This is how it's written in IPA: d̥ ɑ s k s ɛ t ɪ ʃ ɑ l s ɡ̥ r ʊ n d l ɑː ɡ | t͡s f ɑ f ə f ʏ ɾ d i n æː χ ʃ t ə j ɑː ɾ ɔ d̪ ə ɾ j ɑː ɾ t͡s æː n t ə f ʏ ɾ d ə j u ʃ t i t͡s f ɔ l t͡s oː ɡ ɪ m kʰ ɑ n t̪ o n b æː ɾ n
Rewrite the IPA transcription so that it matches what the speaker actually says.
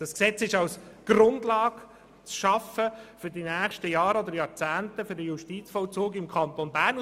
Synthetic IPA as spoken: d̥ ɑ s k s ɛ t͡s ɪ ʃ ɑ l s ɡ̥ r ʊ n d l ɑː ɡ | t͡s ʃ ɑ f ə f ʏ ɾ d i n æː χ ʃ t ə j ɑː ɾ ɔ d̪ ə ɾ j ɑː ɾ t͡s æː n t ə f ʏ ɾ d ə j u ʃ t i t͡s f ɔ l t͡s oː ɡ ɪ m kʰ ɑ n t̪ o n b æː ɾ n